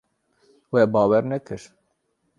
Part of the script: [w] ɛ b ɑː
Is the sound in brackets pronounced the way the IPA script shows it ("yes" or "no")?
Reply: yes